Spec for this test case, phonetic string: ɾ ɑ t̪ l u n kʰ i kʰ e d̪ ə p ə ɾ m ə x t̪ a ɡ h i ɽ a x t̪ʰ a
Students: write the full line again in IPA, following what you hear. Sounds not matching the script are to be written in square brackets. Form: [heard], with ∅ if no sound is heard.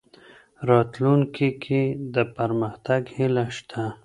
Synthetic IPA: ɾ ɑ t̪ l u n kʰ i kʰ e d̪ ə p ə ɾ m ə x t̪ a ɡ h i [l] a [ʃ] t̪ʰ a